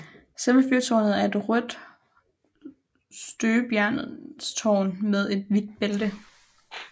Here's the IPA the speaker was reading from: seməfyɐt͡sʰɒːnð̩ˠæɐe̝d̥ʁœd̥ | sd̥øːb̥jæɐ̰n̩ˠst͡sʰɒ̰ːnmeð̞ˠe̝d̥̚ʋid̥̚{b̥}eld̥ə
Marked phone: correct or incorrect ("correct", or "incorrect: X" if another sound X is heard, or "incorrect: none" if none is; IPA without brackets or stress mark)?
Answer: correct